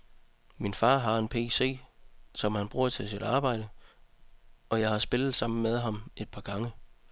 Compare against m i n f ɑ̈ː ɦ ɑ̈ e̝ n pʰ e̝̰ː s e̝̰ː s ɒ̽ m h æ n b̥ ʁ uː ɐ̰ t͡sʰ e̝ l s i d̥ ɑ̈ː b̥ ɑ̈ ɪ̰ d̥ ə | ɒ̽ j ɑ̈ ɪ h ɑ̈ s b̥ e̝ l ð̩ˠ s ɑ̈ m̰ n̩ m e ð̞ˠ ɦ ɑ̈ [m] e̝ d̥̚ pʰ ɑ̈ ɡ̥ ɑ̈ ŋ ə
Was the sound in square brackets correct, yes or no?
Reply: yes